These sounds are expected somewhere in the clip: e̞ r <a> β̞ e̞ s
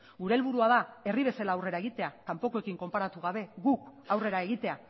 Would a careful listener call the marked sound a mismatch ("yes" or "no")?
yes